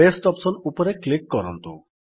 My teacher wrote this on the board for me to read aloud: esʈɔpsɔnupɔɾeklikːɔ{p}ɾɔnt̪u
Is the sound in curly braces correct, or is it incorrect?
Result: incorrect